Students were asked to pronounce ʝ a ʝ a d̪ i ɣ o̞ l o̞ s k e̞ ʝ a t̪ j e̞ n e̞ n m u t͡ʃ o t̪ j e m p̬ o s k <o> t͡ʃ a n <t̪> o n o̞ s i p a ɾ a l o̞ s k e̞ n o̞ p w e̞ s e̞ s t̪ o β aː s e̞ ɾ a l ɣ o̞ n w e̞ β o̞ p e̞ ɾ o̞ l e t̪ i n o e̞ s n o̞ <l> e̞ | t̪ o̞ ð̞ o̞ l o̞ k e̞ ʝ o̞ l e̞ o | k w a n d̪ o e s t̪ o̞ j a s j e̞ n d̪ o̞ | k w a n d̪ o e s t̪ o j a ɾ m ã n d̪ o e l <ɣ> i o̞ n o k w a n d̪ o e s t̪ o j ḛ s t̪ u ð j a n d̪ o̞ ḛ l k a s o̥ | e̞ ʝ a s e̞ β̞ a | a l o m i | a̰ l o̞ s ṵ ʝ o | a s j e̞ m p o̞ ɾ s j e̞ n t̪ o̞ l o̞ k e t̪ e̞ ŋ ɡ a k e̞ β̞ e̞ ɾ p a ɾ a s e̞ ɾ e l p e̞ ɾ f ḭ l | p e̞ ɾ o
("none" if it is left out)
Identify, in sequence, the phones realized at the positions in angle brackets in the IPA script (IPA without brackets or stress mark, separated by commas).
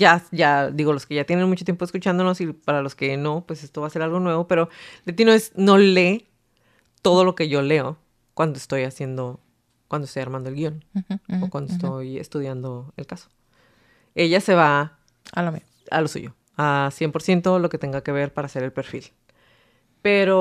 u, d̪, l, ɣ